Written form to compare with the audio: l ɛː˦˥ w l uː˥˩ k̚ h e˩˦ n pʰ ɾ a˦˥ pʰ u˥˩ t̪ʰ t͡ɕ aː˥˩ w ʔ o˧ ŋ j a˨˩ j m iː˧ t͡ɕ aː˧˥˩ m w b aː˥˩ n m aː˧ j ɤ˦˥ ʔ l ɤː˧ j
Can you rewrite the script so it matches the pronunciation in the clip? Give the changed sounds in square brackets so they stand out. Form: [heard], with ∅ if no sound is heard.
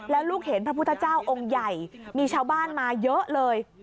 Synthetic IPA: l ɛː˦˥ w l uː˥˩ k̚ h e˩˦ n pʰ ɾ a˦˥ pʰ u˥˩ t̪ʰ t͡ɕ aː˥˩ w ʔ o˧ ŋ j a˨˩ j m iː˧ [t͡ɕʰ] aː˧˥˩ [∅] w b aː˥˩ n m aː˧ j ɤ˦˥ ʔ l ɤː˧ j